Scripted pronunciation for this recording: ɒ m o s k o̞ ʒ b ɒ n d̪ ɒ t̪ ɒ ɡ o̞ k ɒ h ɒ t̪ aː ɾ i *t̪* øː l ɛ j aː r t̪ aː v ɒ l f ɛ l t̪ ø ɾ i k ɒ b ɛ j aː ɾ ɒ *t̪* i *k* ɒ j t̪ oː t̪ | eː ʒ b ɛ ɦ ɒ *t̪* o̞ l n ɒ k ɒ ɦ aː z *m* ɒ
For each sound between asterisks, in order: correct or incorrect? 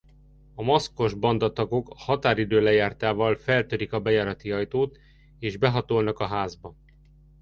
incorrect: d̪, correct, incorrect: none, correct, incorrect: b

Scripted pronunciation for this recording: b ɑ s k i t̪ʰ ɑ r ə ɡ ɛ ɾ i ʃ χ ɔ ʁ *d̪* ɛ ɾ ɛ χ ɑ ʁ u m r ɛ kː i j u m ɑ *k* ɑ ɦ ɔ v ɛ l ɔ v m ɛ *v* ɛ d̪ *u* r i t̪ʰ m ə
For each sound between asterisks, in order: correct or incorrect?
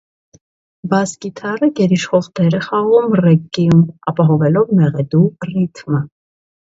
correct, incorrect: p, incorrect: ʁ, correct

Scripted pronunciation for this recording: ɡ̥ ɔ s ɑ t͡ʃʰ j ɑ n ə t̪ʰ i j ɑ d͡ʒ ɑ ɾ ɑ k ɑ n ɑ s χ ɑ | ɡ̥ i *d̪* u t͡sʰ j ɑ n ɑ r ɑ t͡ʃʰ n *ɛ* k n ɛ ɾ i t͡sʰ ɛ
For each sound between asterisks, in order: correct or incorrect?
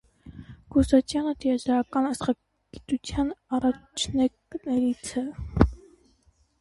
incorrect: t̪, correct

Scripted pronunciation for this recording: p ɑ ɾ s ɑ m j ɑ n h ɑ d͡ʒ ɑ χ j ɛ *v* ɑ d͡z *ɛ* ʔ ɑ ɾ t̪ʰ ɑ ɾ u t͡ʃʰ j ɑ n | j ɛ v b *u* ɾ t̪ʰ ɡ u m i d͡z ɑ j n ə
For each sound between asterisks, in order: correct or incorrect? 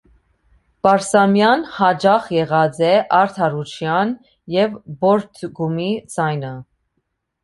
incorrect: ʁ, correct, incorrect: ɔ

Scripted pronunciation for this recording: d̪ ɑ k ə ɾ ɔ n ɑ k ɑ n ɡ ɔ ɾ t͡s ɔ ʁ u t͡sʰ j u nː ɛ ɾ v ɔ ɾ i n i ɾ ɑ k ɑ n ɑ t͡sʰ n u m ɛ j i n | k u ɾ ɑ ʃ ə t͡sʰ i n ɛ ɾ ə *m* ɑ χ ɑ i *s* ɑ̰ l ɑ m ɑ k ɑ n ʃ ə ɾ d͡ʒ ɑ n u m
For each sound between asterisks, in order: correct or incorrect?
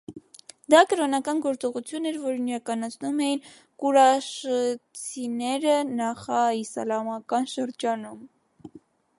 incorrect: n, correct

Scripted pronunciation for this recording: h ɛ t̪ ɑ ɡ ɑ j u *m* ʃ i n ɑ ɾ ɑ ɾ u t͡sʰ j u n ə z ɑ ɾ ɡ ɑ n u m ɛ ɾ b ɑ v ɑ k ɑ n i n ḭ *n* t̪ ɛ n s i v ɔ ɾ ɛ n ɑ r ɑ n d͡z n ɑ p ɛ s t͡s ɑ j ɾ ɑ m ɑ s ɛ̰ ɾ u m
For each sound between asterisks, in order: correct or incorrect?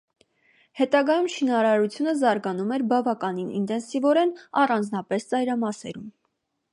correct, correct

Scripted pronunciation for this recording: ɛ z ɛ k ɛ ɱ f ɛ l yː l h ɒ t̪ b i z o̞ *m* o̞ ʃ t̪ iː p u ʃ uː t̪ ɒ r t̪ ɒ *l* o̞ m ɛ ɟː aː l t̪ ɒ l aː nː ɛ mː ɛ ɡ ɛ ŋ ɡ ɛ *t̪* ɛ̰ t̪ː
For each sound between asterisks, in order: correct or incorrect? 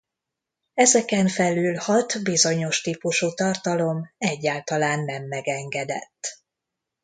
incorrect: ɲ, correct, incorrect: d̪

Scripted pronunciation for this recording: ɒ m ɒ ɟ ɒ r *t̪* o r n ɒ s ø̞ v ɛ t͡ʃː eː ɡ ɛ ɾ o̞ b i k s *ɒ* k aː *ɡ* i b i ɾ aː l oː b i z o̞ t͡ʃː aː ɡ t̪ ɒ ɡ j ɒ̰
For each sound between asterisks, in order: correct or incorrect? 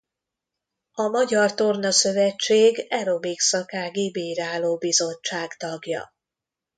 correct, correct, correct

